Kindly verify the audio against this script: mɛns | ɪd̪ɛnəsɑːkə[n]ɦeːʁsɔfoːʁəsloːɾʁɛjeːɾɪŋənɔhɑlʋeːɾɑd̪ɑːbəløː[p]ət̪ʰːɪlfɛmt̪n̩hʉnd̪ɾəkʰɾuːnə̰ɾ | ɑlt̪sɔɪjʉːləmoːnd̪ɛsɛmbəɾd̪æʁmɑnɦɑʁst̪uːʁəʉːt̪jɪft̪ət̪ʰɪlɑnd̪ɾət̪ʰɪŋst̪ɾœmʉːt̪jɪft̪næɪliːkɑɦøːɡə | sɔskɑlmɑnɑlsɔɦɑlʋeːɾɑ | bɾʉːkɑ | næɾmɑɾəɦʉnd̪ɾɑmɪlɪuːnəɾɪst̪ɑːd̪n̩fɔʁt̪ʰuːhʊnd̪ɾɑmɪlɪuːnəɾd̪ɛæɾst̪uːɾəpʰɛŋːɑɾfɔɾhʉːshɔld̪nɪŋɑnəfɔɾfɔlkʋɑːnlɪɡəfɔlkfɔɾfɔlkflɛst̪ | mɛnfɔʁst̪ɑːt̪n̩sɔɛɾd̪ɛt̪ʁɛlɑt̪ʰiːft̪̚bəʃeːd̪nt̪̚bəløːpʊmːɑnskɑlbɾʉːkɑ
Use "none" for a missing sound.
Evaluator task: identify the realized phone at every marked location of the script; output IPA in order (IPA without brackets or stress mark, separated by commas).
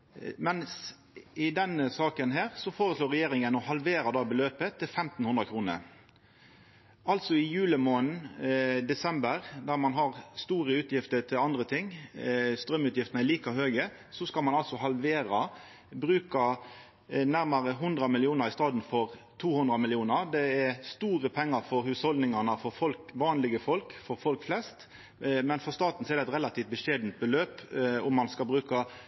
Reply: n, p